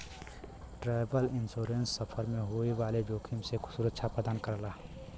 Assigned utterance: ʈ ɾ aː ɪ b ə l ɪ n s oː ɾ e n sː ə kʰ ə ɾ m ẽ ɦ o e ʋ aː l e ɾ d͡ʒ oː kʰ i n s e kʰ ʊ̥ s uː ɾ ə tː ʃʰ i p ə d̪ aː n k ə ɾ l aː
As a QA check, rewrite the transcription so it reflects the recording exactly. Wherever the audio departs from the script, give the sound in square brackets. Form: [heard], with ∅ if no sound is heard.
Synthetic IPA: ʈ ɾ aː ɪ b ə l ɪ n s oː ɾ e n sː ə [pʰ] ə ɾ m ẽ ɦ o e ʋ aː l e [∅] d͡ʒ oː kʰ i [m] s e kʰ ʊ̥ s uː ɾ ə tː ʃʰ [a] p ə d̪ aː n k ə ɾ l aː